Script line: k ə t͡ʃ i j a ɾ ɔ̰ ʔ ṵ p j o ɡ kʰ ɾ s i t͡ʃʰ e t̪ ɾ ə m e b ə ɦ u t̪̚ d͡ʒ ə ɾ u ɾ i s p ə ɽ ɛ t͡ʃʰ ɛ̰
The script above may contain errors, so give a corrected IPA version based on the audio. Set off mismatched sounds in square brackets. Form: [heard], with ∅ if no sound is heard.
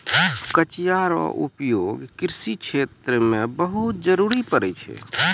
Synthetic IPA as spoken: k ə t͡ʃ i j a ɾ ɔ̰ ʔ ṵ p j o ɡ [k] ɾ s i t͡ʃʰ e t̪ ɾ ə m e b ə ɦ u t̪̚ d͡ʒ ə ɾ u ɾ i [∅] p ə [ɾ] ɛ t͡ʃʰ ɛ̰